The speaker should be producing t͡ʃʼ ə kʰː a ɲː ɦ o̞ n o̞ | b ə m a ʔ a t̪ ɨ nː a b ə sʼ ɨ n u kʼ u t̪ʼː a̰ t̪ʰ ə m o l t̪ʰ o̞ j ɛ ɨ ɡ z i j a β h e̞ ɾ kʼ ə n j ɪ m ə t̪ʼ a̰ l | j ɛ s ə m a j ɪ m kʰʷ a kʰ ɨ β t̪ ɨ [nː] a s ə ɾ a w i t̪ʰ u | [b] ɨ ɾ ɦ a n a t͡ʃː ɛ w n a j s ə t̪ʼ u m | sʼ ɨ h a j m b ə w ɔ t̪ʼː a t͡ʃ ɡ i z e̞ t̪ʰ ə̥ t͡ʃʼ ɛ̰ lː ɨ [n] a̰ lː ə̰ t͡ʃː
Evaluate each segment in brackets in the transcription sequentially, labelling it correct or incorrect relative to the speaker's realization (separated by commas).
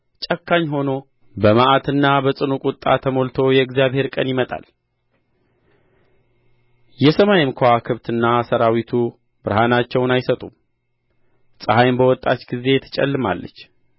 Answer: correct, correct, incorrect